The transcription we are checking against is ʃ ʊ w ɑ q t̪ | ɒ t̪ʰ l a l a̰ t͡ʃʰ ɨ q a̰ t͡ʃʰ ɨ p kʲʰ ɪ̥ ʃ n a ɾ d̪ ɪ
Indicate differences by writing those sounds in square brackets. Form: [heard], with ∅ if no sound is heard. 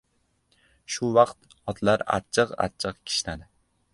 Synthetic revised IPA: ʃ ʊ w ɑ q t̪ | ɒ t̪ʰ l a [ɾ] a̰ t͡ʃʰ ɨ q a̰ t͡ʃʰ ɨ [q] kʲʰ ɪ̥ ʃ n a [∅] d̪ ɪ